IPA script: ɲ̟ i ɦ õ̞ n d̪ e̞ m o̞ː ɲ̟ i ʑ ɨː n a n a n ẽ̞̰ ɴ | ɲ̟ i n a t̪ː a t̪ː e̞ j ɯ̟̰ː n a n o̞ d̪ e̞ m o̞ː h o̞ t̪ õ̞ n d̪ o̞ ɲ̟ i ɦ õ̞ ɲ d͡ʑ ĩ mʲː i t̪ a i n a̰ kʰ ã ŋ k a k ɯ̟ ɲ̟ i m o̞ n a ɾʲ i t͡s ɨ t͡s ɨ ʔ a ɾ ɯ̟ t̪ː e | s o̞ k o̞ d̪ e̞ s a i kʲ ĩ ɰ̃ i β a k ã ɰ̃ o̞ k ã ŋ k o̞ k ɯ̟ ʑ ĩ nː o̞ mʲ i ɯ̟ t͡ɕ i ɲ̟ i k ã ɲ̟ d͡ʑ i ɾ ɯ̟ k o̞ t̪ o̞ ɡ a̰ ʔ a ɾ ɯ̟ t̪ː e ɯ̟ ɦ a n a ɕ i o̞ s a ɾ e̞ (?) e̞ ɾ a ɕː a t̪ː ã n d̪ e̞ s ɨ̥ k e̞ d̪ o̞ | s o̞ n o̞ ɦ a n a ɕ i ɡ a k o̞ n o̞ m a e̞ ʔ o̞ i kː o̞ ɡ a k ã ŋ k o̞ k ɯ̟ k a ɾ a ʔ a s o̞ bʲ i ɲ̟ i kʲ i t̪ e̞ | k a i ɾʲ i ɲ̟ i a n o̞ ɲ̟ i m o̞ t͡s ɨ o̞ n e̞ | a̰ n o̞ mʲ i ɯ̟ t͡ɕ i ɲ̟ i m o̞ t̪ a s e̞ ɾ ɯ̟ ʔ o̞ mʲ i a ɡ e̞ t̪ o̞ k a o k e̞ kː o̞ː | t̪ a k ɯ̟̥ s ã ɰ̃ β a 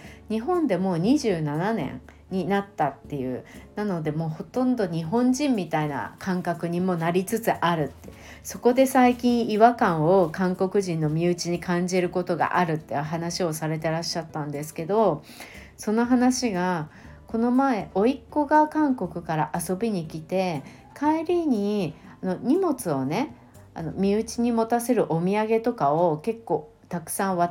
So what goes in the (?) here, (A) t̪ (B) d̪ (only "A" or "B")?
A